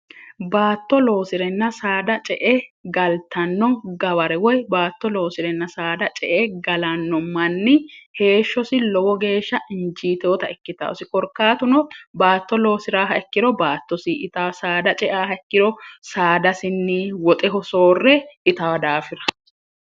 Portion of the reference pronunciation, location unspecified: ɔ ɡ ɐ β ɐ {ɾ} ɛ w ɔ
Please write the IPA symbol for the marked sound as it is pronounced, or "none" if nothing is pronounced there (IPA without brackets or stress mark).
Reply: ɾ